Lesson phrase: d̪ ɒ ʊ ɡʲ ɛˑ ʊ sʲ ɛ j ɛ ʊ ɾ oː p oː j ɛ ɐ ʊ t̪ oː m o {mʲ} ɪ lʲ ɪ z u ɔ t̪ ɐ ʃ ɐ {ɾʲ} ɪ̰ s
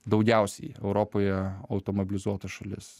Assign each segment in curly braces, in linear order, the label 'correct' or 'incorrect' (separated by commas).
incorrect, incorrect